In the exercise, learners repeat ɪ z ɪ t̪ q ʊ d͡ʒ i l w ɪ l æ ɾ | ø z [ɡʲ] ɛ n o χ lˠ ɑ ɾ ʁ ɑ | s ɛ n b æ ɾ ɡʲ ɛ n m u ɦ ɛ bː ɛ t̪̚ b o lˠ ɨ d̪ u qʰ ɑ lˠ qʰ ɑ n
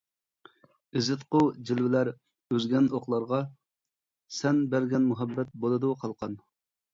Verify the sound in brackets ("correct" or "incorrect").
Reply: correct